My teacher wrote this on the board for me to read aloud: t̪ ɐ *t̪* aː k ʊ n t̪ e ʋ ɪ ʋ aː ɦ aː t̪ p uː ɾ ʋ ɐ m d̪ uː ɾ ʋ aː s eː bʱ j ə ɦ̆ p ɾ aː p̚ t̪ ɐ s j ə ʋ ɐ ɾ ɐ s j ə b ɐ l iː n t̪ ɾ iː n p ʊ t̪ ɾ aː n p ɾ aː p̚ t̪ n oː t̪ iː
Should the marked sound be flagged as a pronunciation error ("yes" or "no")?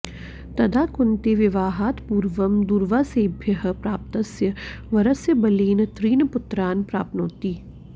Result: yes